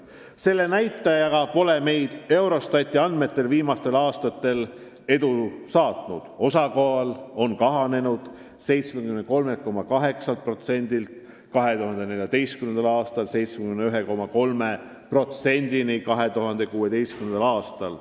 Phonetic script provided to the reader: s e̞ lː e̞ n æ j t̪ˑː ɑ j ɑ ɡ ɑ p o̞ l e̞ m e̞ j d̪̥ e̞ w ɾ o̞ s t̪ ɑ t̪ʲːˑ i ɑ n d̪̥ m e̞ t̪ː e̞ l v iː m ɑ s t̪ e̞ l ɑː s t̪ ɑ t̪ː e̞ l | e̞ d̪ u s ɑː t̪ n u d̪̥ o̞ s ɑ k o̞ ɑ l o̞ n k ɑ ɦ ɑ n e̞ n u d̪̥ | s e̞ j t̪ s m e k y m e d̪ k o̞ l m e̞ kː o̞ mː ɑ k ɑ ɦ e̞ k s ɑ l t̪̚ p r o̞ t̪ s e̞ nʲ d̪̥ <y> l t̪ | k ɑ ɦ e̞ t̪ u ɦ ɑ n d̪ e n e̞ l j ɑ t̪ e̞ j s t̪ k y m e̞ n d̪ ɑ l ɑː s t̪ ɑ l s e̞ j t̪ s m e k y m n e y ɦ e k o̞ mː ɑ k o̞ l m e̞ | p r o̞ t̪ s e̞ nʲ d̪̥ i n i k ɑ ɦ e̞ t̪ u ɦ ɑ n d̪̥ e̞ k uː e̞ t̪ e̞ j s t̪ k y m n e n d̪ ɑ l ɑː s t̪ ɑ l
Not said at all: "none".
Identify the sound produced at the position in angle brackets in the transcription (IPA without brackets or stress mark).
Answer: i